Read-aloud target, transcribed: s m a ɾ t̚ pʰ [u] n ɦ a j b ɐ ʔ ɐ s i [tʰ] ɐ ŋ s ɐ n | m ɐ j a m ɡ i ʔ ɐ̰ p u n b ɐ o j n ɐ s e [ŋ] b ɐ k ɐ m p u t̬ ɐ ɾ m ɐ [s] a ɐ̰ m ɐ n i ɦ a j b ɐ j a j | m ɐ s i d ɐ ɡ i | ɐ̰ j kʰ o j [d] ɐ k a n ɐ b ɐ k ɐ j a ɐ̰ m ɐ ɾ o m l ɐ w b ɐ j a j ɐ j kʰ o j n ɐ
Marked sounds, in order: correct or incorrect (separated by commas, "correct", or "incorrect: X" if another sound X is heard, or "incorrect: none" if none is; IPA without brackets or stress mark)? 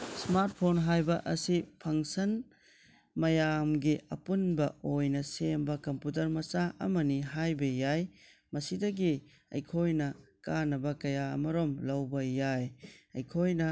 incorrect: o, incorrect: pʰ, incorrect: m, correct, incorrect: n